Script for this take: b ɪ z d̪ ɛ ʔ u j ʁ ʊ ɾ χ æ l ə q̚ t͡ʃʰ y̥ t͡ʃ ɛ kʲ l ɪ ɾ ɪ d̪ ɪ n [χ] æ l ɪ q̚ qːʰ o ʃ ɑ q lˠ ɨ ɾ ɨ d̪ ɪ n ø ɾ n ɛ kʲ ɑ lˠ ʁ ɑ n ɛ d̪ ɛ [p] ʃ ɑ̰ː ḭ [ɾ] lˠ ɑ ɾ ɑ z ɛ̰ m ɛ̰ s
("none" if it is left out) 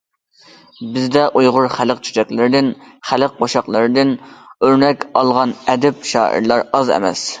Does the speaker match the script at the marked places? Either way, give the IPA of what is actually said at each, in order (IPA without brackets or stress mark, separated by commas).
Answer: χ, p, ɾ